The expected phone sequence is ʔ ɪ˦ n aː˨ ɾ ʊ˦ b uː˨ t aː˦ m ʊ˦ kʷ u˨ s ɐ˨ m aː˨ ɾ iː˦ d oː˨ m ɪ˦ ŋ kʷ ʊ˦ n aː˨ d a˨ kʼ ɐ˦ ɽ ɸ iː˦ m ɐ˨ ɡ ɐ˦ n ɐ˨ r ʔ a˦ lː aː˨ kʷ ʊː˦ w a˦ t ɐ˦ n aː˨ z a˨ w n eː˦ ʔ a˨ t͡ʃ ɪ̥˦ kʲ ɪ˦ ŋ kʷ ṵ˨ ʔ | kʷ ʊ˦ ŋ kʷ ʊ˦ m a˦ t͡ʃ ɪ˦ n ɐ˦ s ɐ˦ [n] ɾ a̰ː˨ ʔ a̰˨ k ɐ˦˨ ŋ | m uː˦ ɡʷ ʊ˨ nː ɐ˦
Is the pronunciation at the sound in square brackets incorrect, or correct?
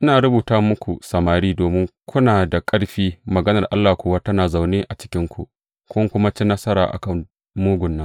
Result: incorrect: none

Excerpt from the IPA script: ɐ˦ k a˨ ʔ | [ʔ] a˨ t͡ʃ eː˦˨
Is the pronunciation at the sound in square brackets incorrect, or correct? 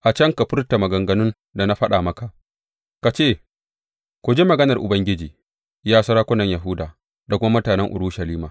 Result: incorrect: k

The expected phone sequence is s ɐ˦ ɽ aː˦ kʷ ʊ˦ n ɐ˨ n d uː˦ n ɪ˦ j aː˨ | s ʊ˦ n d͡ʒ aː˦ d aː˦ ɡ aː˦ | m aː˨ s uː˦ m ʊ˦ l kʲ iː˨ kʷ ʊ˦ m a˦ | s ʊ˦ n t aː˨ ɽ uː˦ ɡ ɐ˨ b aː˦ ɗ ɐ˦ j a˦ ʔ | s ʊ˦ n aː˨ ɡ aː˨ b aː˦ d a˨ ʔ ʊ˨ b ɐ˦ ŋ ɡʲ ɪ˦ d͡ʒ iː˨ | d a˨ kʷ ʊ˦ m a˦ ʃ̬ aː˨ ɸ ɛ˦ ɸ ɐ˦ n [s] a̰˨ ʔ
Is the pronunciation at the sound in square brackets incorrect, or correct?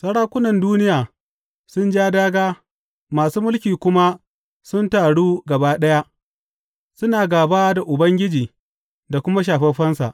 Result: correct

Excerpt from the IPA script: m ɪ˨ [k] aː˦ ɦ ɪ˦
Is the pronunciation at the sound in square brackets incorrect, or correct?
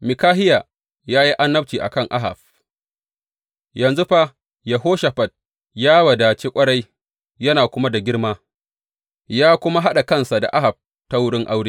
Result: correct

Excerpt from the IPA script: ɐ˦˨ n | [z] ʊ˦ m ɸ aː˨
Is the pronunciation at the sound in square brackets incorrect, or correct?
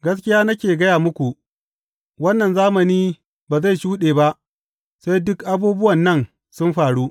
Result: incorrect: s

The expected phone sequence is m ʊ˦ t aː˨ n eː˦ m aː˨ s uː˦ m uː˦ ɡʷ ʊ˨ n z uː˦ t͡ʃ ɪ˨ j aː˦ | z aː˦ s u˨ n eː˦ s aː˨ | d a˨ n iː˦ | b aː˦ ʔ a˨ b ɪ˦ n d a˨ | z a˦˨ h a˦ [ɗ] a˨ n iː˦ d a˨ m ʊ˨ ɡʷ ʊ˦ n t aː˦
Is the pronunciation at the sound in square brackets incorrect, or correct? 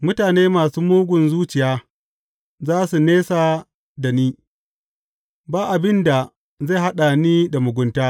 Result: correct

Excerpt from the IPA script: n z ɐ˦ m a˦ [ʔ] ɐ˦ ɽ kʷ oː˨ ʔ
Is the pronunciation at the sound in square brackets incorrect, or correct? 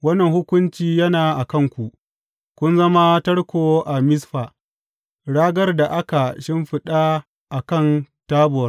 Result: incorrect: t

